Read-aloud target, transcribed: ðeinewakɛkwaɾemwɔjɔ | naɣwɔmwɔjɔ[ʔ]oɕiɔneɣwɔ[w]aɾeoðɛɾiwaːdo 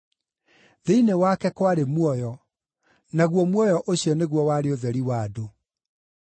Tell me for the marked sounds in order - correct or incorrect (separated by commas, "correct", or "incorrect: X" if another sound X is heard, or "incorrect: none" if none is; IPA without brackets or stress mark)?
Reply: correct, correct